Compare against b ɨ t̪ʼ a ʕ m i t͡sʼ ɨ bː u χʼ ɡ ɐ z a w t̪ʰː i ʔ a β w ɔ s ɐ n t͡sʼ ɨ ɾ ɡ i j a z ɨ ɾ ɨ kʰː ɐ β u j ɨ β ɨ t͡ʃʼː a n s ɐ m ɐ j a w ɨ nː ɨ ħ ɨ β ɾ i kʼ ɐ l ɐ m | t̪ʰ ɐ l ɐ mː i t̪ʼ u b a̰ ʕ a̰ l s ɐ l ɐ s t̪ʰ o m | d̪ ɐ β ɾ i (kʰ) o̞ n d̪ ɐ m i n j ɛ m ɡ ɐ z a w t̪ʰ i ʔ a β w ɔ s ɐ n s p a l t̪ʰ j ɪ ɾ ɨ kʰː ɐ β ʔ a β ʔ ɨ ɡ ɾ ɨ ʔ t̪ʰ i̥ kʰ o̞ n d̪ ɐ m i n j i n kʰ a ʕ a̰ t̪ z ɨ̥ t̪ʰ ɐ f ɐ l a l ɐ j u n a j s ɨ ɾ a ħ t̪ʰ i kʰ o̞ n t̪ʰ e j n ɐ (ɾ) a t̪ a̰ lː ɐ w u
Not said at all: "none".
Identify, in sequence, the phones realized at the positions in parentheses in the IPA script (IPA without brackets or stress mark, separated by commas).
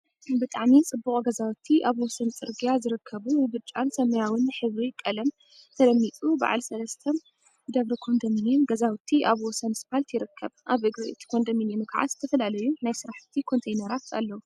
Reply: kʰ, ɾ